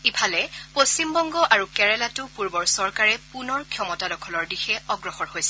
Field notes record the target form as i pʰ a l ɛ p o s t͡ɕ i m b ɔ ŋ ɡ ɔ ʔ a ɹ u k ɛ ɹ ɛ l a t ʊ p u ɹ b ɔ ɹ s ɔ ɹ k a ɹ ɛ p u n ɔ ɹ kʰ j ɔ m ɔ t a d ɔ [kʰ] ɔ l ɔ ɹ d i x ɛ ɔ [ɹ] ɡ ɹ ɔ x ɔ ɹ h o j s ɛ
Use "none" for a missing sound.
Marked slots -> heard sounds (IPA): kʰ, none

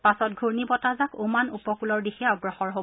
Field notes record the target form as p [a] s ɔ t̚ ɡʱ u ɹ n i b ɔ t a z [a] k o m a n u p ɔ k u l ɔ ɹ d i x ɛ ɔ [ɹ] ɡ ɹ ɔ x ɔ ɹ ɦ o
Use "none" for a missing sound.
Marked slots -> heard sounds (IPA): a, a, none

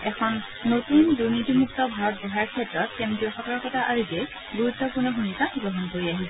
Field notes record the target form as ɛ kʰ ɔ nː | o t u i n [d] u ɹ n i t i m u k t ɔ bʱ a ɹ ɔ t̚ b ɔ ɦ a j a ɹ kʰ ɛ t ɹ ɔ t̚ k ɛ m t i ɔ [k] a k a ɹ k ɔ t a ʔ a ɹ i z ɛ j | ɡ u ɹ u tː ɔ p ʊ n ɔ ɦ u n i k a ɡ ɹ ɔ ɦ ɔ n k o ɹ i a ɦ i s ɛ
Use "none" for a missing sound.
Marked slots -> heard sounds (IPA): d, x

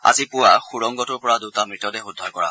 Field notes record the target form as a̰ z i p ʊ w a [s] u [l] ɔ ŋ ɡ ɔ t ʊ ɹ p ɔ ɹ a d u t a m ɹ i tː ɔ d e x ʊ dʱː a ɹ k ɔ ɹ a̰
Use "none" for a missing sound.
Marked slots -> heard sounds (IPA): x, ɹ

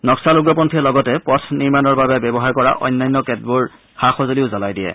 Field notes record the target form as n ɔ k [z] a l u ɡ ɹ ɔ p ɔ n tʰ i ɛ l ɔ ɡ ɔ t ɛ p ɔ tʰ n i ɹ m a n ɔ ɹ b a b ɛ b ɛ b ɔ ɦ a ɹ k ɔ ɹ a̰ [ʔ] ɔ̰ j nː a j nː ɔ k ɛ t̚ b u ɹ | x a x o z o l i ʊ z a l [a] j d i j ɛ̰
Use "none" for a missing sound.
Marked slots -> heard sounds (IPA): s, ʔ, a

